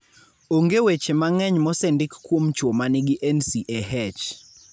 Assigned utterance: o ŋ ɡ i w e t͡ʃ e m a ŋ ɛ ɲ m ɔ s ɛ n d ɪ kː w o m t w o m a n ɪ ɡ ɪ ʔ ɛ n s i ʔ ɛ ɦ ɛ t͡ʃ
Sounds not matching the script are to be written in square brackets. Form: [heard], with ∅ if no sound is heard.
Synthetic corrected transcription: o ŋ ɡ [e] w e t͡ʃ e m a ŋ ɛ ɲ m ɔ s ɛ n d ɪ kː w o m [t͡ʃ] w o m a n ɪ ɡ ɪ ʔ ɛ n s i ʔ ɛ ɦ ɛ t͡ʃ